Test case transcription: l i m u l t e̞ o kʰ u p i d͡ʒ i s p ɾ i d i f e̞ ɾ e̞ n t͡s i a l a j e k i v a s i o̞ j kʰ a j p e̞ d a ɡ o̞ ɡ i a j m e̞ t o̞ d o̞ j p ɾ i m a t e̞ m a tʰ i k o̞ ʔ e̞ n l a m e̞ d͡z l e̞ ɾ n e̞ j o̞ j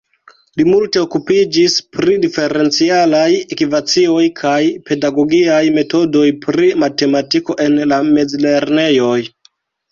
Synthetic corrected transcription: l i m u l t e̞ o k u p i d͡ʒ i s p ɾ i d i f e̞ ɾ e̞ n t͡s i a l a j e k i v a t͡s i o̞ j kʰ a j p e̞ d a ɡ o̞ ɡ i a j m e̞ t o̞ d o̞ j p ɾ i m a t e̞ m a t i k o̞ ʔ e̞ n l a m e̞ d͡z l e̞ ɾ n e̞ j o̞ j

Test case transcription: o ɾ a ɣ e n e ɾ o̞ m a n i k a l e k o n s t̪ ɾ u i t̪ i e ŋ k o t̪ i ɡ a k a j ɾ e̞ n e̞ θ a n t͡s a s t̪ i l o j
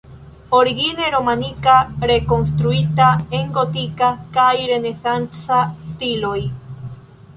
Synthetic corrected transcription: o ɾ i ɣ i n e ɾ o̞ m a n i k a ɾ e k o n s t̪ ɾ u i t̪ a e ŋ ɡ o t̪ i k a k a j ɾ e̞ n e̞ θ a n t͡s a s t̪ i l o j

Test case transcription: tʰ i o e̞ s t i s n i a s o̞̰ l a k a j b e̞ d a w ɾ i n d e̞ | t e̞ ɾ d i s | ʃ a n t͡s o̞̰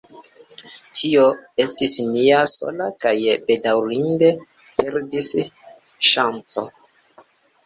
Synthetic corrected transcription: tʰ i o e̞ s t i s n i a s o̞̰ l a k a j b e̞ d a w ɾ i n d e̞ | p e̞ ɾ d i s | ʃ a n t͡s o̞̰

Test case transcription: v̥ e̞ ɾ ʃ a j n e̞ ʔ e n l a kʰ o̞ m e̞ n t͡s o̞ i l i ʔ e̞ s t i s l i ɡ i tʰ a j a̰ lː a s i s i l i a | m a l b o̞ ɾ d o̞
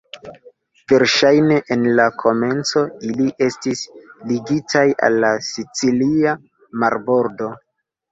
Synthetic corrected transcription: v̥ e̞ ɾ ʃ a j n e̞ ʔ e n l a kʰ o̞ m e̞ n t͡s o̞ i l i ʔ e̞ s t i s l i ɡ i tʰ a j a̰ lː a s i t͡s i l i a | m a ɾ b o̞ ɾ d o̞

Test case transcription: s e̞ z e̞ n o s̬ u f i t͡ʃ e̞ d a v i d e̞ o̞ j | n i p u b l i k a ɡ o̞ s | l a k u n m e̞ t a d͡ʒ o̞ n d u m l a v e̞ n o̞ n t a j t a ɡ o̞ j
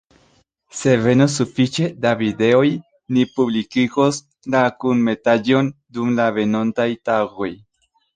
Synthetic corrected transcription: s e̞ v e̞ n o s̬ u f i t͡ʃ e̞ d a v i d e̞ o̞ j | n i p u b l i k i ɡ o̞ s | l a k u n m e̞ t a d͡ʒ o̞ n d u m l a v e̞ n o̞ n t a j t a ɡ o̞ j

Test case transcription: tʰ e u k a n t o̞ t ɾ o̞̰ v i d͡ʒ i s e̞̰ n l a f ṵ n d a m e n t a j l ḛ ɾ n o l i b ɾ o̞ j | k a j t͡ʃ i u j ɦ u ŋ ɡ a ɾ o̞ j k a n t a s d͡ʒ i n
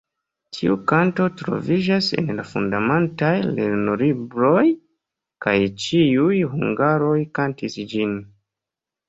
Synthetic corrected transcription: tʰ i u k a n t o̞ t ɾ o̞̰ v i d͡ʒ a s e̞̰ n l a f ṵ n d a m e n t a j l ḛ ɾ n o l i b ɾ o̞ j | k a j t͡ʃ i u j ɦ u ŋ ɡ a ɾ o̞ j k a n t i s d͡ʒ i n

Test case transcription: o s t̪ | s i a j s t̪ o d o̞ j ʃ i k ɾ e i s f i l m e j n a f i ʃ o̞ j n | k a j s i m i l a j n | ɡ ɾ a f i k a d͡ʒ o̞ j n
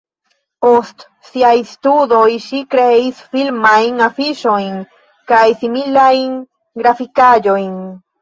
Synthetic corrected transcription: o s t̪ | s i a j s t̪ u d o̞ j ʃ i k ɾ e i s f i l m a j n a f i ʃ o̞ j n | k a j s i m i l a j n | ɡ ɾ a f i k a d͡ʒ o̞ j n

